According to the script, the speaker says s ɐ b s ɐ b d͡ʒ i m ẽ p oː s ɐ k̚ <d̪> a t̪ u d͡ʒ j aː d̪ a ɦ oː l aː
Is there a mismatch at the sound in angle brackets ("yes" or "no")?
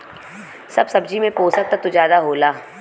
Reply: yes